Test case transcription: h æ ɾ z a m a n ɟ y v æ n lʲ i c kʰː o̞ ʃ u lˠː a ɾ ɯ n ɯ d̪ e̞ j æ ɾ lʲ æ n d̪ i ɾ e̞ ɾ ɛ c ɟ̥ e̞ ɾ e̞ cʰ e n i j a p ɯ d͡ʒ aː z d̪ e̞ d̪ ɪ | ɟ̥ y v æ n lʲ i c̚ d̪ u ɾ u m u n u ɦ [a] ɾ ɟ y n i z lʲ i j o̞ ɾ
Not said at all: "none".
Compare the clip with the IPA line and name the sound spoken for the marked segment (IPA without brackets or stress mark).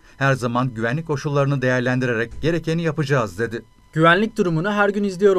æ